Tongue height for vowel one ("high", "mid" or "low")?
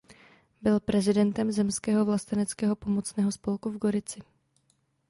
high